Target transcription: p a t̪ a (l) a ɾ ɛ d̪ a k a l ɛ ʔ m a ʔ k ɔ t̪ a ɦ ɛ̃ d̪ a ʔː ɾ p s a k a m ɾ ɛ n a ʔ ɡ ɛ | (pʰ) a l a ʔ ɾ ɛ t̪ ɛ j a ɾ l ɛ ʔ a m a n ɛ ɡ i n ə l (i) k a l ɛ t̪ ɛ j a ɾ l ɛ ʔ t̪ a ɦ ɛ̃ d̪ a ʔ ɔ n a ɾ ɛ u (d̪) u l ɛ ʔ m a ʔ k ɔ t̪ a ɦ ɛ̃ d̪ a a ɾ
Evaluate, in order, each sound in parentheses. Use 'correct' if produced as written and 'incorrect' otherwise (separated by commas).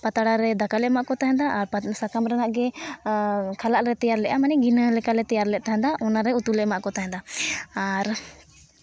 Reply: incorrect, incorrect, incorrect, incorrect